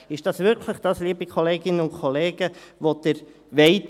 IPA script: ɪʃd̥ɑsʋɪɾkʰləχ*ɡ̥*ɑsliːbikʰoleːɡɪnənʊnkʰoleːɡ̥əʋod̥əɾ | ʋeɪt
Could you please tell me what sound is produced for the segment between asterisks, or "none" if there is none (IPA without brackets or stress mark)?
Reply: d̥